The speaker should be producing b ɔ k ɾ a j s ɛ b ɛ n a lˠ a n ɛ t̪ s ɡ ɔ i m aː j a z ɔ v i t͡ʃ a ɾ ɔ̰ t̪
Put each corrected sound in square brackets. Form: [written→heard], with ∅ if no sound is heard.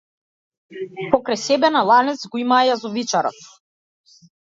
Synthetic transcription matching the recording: [b→p] ɔ k ɾ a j s ɛ b ɛ n a lˠ a n ɛ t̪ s ɡ ɔ i m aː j a z ɔ v i t͡ʃ a ɾ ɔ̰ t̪